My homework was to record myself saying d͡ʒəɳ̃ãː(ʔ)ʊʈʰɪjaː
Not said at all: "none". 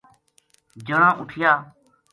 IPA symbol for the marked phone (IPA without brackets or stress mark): ʔ